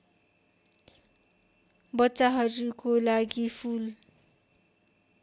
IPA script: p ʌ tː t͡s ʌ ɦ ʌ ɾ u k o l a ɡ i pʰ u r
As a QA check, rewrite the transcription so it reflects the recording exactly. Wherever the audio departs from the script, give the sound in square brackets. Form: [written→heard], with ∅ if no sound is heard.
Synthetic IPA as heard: [p→b] ʌ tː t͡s [ʌ→a] ɦ ʌ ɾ u k o l a ɡ i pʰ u [r→l]